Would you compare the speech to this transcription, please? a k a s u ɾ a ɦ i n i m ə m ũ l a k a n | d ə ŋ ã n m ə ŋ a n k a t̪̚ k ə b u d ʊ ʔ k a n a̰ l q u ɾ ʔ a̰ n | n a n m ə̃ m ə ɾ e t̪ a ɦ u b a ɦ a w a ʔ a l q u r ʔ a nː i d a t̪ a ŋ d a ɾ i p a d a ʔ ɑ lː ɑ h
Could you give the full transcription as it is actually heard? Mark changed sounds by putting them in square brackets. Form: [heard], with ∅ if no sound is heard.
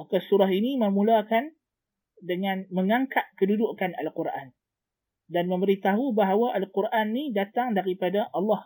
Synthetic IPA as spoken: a k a s u ɾ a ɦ i n i m ə m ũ l a k a n | d ə ŋ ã n m ə ŋ a [ŋ] k a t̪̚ k ə [d] u d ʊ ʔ k a n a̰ l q u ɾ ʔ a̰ n | [d] a n m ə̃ m ə ɾ [i] t̪ a ɦ u b a ɦ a w a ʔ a l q u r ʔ a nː i d a t̪ a ŋ d a ɾ i p a d a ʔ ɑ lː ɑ h